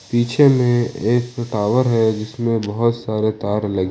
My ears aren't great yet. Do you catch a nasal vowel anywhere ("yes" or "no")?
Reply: yes